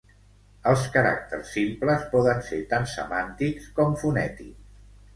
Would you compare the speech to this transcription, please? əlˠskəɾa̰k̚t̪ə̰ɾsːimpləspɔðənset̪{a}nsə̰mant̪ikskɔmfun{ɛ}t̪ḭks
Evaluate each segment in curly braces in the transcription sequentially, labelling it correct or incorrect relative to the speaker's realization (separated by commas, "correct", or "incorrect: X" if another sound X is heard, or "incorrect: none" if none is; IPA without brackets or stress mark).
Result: correct, correct